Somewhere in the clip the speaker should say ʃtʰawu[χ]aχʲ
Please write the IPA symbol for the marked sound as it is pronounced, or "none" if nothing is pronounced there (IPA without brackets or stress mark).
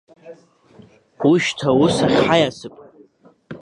s